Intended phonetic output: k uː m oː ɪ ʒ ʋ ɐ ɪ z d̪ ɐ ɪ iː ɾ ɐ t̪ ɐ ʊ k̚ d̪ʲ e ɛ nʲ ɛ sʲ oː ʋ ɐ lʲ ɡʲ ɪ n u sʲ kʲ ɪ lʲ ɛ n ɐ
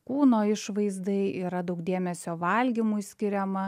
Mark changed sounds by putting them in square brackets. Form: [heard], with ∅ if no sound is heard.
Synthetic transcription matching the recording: k uː [n] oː ɪ [ʃ] ʋ ɐ ɪ z d̪ ɐ ɪ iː ɾ ɐ [d̪] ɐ ʊ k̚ d̪ʲ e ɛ [mʲ] ɛ sʲ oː ʋ ɐ lʲ ɡʲ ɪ [m] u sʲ kʲ ɪ [ɾʲ] ɛ [m] ɐ